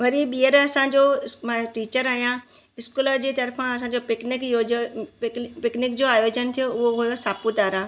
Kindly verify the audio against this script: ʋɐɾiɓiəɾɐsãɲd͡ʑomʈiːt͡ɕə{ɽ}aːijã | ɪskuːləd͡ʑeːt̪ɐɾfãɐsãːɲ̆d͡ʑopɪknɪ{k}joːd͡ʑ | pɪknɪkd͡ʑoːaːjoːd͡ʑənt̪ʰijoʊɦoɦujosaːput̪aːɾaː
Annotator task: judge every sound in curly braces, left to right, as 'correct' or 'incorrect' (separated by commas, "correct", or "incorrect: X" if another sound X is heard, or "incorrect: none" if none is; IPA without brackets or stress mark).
incorrect: ɾ, correct